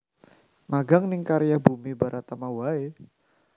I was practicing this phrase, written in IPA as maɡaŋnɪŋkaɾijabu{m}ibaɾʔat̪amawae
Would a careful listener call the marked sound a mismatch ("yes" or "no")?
no